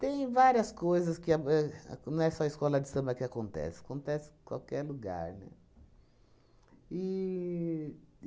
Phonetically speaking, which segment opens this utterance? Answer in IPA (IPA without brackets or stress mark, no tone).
t̪